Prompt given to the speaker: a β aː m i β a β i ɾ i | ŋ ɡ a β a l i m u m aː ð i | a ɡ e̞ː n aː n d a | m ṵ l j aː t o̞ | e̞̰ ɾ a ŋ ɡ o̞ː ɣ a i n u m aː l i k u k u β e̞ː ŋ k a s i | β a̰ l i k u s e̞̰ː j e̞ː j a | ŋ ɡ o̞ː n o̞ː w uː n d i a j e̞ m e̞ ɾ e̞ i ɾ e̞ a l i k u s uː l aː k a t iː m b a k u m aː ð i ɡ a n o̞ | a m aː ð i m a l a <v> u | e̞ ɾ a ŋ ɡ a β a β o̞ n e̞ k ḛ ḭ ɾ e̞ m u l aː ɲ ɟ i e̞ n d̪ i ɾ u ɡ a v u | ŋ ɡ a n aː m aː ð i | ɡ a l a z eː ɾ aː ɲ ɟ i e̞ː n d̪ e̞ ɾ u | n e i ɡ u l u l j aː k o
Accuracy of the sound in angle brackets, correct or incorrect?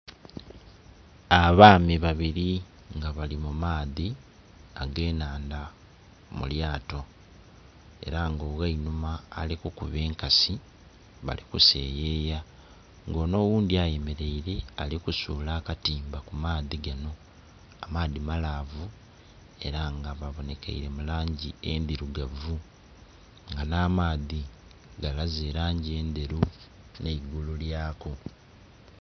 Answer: correct